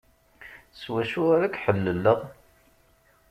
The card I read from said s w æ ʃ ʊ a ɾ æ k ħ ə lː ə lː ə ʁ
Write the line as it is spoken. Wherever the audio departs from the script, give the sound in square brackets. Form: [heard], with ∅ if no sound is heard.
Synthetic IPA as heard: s w æ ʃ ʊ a ɾ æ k ħ ə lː ə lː ə ʁ